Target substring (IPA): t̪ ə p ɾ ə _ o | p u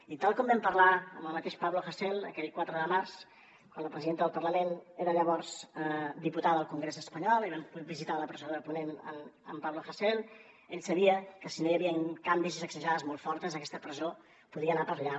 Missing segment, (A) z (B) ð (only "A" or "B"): A